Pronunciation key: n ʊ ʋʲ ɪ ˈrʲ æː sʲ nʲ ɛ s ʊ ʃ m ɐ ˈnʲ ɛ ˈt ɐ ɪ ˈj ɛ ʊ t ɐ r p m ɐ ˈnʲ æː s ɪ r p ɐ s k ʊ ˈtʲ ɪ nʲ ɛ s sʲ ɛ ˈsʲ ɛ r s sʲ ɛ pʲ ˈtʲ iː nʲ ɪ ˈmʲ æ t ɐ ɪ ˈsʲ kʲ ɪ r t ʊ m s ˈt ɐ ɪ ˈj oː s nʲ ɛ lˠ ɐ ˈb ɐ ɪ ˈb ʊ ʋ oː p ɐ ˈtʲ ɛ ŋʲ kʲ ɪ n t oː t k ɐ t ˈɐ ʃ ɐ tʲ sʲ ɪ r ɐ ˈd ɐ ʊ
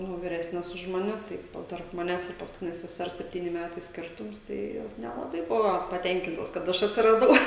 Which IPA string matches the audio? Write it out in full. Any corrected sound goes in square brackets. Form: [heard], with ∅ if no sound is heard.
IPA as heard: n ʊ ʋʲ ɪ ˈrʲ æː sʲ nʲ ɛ s ʊ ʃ m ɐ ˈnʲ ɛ ˈt ɐ ɪ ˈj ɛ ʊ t ɐ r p m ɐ ˈnʲ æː s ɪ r p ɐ s k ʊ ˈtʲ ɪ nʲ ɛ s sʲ ɛ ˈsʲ ɛ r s sʲ ɛ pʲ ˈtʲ iː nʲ ɪ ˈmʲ æ t ɐ ɪ ˈsʲ kʲ ɪ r t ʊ m s ˈt ɐ ɪ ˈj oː s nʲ ɛ lˠ ɐ ˈb ɐ ɪ ˈb ʊ ʋ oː p ɐ ˈtʲ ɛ ŋʲ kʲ ɪ n t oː [s] k ɐ t ˈɐ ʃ ɐ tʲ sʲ ɪ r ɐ ˈd ɐ ʊ